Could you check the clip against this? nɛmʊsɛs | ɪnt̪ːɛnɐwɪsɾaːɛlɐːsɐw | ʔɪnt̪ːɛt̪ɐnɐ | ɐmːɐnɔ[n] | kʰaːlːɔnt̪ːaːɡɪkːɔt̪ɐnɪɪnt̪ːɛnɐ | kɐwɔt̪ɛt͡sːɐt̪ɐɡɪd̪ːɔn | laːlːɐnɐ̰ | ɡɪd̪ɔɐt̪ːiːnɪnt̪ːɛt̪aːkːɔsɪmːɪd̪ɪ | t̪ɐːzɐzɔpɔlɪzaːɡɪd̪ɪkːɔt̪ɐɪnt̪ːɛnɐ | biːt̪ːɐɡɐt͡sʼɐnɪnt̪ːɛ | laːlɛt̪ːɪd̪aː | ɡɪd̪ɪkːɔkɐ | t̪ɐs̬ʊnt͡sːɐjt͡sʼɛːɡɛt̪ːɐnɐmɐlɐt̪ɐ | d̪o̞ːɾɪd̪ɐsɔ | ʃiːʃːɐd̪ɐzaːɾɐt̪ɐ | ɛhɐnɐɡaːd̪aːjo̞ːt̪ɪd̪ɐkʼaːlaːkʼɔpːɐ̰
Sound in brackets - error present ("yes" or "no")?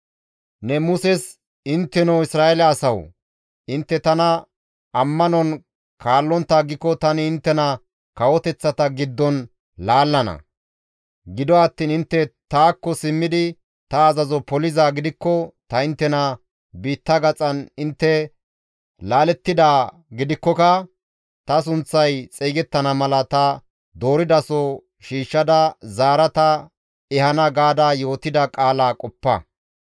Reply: no